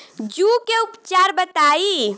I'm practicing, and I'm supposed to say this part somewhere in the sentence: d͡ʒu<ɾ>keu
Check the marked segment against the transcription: incorrect: none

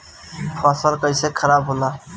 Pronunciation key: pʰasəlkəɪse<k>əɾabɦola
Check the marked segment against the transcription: incorrect: kʰ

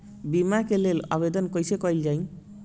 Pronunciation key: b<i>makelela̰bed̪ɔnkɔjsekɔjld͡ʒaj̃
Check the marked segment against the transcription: correct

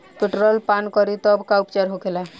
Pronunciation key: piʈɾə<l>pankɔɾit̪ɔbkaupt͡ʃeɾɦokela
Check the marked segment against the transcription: correct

